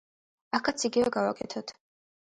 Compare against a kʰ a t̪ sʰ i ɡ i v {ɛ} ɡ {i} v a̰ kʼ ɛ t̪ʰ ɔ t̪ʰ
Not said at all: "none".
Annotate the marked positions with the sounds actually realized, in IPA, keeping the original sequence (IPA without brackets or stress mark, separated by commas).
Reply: ɛ, a